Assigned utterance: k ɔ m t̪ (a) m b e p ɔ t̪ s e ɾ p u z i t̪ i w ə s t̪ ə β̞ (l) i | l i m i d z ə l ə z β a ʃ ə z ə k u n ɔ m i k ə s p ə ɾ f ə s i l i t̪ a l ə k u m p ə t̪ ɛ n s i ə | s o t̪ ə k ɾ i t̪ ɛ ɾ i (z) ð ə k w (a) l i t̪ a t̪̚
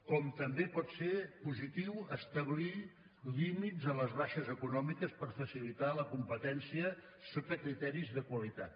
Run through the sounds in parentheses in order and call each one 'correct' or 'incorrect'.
incorrect, correct, correct, incorrect

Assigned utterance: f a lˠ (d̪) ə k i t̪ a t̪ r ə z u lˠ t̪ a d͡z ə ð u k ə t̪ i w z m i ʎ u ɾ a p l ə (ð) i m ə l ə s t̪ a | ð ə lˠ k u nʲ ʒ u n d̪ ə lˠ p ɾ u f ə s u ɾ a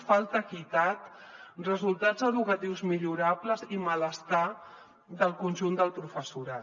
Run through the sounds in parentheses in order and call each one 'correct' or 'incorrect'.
incorrect, incorrect

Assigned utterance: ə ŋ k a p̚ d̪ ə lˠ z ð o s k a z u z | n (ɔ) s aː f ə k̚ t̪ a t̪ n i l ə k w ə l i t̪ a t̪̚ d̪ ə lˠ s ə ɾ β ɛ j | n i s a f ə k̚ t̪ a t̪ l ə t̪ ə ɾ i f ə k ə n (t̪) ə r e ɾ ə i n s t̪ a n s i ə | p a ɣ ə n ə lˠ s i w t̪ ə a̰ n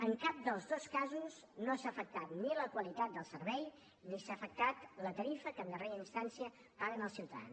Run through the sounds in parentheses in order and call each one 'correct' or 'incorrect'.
incorrect, incorrect

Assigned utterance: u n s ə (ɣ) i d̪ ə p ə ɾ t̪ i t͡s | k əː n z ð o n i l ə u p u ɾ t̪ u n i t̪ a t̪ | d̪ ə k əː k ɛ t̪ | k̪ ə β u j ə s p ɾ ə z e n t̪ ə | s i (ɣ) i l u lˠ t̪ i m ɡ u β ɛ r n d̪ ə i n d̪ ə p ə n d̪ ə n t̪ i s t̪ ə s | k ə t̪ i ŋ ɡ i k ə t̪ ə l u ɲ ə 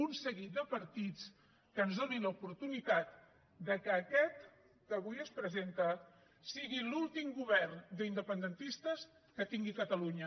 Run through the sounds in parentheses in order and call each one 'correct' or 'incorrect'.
correct, correct

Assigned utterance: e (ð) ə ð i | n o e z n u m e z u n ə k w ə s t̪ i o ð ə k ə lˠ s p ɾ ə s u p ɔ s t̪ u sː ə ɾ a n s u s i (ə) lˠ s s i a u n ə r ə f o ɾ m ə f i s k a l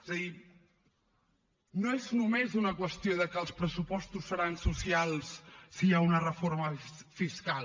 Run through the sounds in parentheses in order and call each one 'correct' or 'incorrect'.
incorrect, incorrect

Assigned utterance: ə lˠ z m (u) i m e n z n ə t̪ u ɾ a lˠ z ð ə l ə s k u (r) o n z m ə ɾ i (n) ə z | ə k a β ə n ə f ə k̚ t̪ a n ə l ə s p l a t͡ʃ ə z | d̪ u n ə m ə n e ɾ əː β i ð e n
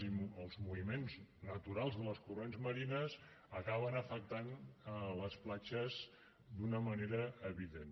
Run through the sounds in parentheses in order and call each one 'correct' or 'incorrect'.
correct, correct, correct

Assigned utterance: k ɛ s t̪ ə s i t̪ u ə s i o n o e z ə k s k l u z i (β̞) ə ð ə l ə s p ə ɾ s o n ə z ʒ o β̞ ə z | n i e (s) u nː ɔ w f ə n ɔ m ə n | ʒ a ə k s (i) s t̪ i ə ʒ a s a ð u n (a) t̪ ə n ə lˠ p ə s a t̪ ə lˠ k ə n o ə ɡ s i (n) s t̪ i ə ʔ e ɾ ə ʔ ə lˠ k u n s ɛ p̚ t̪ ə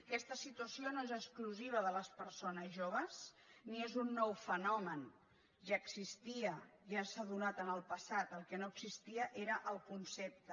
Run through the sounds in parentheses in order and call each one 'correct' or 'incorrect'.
correct, incorrect, correct, correct, incorrect

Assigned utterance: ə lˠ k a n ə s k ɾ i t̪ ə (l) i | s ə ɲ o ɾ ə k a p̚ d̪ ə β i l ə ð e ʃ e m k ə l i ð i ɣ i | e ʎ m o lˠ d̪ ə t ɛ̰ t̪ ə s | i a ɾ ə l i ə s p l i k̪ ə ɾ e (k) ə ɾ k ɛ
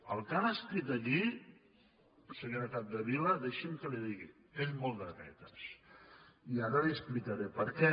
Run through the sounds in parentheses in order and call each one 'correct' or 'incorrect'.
incorrect, incorrect

